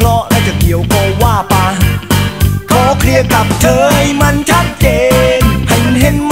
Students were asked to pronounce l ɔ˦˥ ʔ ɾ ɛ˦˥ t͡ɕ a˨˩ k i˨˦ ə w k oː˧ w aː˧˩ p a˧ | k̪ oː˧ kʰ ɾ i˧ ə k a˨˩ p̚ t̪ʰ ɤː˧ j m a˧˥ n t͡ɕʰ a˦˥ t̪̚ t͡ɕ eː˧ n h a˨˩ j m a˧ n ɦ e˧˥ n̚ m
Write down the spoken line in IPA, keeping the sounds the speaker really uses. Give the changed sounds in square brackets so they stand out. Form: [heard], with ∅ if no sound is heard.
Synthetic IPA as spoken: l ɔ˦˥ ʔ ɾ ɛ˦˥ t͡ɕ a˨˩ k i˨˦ ə w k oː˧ w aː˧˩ p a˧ | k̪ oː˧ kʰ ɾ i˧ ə k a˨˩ p̚ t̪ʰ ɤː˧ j m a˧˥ n t͡ɕʰ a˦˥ t̪̚ t͡ɕ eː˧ n h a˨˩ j m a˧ n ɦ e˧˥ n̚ m

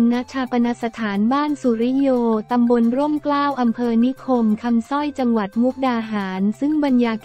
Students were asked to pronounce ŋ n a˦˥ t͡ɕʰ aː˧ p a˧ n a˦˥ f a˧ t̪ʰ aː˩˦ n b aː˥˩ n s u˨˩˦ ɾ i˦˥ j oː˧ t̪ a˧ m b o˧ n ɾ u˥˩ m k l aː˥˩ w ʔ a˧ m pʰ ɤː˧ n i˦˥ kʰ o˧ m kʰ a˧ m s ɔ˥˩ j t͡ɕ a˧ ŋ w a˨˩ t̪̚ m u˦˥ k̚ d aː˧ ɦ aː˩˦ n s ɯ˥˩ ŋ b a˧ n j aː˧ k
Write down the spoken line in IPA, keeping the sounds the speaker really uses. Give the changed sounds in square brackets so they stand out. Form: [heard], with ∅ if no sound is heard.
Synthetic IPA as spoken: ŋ n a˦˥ t͡ɕʰ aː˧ p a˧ n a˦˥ [s] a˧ t̪ʰ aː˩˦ n b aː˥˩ n s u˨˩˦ ɾ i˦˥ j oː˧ t̪ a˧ m b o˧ n ɾ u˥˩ m k l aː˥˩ w ʔ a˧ m pʰ ɤː˧ n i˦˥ kʰ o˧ m kʰ a˧ m s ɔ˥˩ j t͡ɕ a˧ ŋ w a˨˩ t̪̚ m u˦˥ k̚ d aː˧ ɦ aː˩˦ n s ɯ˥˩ ŋ b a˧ n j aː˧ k

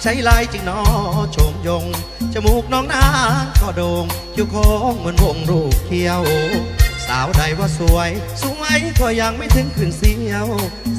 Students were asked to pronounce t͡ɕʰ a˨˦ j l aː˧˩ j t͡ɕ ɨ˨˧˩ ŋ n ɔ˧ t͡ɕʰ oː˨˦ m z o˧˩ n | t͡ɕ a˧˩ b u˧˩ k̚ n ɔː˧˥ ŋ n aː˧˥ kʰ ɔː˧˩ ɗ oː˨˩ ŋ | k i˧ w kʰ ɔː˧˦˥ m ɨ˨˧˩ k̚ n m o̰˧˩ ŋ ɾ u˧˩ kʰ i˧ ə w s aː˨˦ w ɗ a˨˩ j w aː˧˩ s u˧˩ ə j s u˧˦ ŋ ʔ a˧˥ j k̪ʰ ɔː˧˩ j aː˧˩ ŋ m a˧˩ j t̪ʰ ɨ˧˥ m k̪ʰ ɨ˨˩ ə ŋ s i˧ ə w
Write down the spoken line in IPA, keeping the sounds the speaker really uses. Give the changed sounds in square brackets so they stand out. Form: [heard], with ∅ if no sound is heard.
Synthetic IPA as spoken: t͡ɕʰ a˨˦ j l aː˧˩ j t͡ɕ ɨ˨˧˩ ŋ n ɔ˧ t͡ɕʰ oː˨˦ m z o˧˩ [ŋ] | t͡ɕ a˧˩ [m] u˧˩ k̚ n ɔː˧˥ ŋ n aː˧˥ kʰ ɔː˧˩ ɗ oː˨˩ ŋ | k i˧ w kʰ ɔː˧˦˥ m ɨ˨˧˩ [∅] n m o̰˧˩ ŋ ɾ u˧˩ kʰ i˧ ə w s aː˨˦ w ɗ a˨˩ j w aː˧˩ s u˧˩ ə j s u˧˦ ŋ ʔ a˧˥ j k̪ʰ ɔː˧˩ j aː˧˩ ŋ m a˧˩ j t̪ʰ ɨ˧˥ [ŋ] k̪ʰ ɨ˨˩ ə ŋ s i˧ ə w

